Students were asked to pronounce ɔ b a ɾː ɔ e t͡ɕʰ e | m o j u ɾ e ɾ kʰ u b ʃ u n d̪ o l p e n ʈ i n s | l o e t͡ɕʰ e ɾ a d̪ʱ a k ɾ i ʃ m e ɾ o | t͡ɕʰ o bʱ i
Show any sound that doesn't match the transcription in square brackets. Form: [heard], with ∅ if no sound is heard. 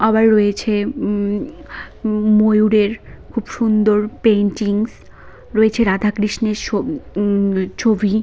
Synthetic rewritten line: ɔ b a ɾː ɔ e t͡ɕʰ e | m o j u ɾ e ɾ kʰ u b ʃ u n d̪ o [ɾ] p e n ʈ i [ŋ] s | [ɾ] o e t͡ɕʰ e ɾ a d̪ʱ a k ɾ i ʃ [n] e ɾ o | t͡ɕʰ o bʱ i